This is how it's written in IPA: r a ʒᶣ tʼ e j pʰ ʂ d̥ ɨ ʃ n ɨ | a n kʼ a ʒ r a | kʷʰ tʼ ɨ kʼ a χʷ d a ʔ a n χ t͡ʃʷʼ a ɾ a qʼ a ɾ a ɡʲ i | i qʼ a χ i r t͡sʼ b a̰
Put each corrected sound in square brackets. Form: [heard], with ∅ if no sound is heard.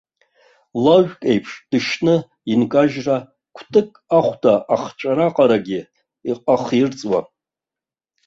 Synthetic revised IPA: [l] a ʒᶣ [kʼ] e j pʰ ʂ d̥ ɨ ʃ n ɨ | [i] n kʼ a ʒ r a | kʷʰ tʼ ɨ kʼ a χʷ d a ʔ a [∅] χ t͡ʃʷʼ a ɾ a qʼ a ɾ a ɡʲ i | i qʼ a χ i r t͡sʼ [w] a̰